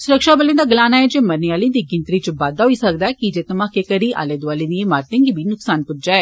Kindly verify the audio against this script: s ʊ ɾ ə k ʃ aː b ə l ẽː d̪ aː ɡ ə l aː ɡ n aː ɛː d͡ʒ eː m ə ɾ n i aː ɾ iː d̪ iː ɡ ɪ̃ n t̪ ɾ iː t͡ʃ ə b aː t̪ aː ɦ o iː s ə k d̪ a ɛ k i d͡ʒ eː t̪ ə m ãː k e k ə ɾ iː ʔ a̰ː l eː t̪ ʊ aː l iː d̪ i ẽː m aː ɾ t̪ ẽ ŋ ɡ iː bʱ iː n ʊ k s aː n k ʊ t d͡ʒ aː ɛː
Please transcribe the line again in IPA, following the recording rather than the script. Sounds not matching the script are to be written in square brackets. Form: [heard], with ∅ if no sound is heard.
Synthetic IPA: s ʊ ɾ ə k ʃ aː b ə l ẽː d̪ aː ɡ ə l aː [∅] n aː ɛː d͡ʒ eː m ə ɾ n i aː [l] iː d̪ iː ɡ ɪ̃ n t̪ ɾ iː t͡ʃ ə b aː [d̪] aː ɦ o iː s ə k d̪ a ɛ k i d͡ʒ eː t̪ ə m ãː k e k ə ɾ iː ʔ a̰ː l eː [d̪] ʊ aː l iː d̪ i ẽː m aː ɾ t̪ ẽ ŋ ɡ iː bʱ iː n ʊ k s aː n [p] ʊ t d͡ʒ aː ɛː